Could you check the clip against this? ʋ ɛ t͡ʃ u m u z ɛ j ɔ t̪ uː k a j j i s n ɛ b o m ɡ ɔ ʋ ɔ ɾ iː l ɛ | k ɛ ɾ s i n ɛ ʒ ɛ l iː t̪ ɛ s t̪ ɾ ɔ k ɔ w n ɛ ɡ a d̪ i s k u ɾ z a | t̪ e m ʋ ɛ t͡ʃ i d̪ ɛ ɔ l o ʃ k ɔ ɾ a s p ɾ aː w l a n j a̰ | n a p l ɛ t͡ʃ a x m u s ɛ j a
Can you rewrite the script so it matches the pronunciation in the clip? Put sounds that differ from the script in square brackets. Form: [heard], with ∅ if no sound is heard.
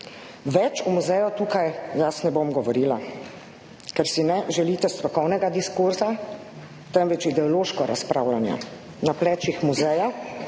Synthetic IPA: ʋ ɛ t͡ʃ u m u z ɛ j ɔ t̪ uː k a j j [a] s n ɛ b o m ɡ ɔ ʋ ɔ ɾ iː l [a] | k ɛ ɾ s i n ɛ ʒ ɛ l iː t̪ ɛ s t̪ ɾ ɔ k ɔ w n ɛ ɡ a d̪ i s k u ɾ z a | t̪ [ɛ] m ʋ ɛ t͡ʃ i d̪ ɛ ɔ l o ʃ k ɔ ɾ a s p ɾ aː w l a n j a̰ | n a p l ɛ t͡ʃ [i] x m u [z] ɛ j a